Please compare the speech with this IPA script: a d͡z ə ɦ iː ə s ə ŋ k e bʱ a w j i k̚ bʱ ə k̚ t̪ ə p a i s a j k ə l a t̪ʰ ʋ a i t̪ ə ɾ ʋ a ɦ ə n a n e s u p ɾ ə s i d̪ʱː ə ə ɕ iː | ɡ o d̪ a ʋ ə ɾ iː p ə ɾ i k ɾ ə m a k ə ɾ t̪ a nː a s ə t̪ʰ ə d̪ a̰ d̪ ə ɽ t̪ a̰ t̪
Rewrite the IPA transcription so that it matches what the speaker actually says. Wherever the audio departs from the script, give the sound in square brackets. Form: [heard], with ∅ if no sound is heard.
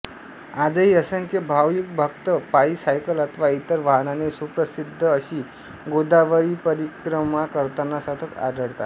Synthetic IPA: a d͡z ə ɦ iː ə s ə ŋ k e bʱ a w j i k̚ bʱ ə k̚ t̪ ə p a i s a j k ə l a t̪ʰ ʋ a i t̪ ə ɾ ʋ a ɦ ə n a n e s u p ɾ ə s i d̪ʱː ə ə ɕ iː | ɡ o d̪ a ʋ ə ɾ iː p ə ɾ i k ɾ ə m a k ə ɾ t̪ a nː a s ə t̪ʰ ə [t̪] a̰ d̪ ə ɽ t̪ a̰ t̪